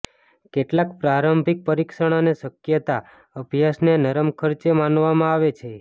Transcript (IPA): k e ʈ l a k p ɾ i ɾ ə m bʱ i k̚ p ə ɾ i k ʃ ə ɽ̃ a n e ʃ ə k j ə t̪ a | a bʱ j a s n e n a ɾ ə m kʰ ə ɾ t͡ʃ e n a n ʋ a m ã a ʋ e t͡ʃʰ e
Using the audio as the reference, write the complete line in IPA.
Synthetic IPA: k e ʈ l a k p ɾ a ɾ ə m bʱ i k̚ p ə ɾ i k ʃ ə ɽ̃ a n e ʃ ə k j ə t̪ a | ə bʱ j a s n e n ə ɾ ə m kʰ ə ɾ t͡ʃ e m a n ʋ a m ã a ʋ e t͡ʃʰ e